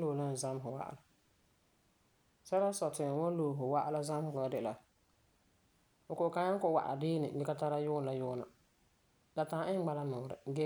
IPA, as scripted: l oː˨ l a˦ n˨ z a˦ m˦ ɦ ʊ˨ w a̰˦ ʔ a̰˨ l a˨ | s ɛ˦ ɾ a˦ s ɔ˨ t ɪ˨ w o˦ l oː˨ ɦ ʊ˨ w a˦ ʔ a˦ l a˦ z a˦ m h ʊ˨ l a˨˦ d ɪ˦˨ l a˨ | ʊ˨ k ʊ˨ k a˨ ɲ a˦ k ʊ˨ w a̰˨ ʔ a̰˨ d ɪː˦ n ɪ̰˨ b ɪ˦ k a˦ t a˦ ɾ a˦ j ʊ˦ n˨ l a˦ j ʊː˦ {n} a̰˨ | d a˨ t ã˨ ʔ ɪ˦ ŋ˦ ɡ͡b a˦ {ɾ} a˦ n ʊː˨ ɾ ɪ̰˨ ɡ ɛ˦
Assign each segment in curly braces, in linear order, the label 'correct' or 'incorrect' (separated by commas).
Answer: correct, incorrect